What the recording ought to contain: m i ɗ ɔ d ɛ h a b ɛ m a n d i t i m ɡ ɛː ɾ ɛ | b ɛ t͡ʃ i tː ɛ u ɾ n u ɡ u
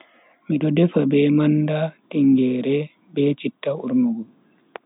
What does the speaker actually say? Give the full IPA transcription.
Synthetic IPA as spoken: m i ɗ ɔ d ɛ f a b ɛ m a n d a t i ŋ ɡ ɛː ɾ ɛ | b ɛ t͡ʃ i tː a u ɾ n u ɡ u